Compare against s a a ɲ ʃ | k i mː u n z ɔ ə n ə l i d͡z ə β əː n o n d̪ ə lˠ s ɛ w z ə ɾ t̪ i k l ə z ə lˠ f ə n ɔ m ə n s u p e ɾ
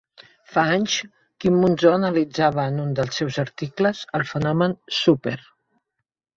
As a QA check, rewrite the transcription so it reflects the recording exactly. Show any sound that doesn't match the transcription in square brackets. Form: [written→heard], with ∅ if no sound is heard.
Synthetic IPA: [s→f] a a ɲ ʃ | k i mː u n z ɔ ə n ə l i d͡z [ə→a] β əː n [o→u] n d̪ ə lˠ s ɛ w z ə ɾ t̪ i k l ə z ə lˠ f ə n ɔ m ə n s u p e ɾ